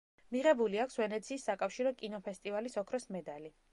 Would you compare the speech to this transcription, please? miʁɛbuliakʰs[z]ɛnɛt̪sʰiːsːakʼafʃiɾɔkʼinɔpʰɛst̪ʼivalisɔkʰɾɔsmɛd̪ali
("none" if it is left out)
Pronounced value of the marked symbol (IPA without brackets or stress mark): v